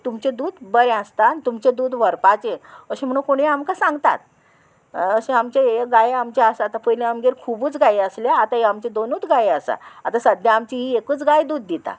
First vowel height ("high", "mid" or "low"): high